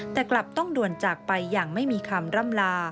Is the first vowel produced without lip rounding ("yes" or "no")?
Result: yes